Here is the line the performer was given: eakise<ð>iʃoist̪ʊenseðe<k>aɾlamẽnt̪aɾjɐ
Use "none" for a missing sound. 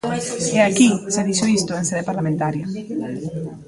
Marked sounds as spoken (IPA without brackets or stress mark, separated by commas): ð, p